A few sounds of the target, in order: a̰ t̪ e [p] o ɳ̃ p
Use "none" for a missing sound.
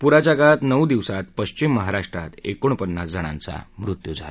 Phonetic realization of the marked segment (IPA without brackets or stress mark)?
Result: k